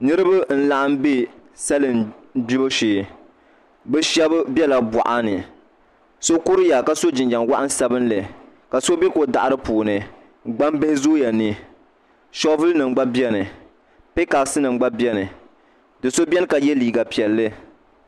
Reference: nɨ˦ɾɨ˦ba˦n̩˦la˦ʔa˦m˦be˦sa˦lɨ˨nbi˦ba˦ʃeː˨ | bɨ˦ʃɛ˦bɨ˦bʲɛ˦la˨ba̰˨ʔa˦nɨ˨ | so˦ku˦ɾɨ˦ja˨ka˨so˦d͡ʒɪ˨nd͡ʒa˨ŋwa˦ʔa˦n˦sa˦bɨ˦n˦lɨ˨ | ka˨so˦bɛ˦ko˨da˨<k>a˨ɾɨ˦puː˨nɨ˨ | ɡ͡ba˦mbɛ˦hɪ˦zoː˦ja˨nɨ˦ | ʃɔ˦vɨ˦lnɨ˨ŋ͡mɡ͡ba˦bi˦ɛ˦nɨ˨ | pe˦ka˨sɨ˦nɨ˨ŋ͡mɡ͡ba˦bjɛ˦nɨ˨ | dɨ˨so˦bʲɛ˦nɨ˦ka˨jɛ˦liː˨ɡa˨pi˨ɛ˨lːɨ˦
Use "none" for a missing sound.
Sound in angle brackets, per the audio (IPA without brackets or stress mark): ʔ